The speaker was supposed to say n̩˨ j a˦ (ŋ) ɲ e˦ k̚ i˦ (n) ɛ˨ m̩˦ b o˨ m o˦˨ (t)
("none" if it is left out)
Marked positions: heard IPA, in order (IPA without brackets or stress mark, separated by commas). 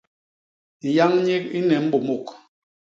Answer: ŋ, n, k